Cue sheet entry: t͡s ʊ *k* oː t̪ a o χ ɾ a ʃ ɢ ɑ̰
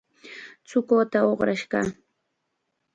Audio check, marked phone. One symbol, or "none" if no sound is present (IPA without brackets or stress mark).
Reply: k